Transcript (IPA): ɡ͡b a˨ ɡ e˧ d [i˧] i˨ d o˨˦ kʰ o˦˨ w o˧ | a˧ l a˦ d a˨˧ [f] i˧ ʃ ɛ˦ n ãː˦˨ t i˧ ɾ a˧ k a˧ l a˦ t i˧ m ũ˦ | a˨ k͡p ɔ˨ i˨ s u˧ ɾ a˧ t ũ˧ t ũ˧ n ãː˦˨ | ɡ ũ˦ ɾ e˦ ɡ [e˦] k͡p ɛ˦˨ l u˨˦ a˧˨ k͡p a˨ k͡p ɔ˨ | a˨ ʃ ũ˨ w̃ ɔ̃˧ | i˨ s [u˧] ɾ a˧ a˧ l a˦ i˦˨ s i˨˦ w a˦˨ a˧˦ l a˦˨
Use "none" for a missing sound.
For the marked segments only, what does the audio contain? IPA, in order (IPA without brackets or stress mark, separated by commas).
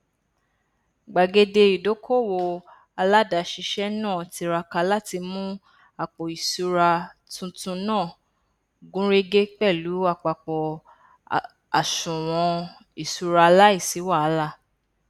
e˧, ʃ, e˦, u˧